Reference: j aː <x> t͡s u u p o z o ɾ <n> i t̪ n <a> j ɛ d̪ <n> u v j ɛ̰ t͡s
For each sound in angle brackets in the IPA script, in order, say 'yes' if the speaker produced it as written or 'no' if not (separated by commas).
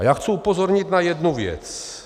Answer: yes, no, yes, yes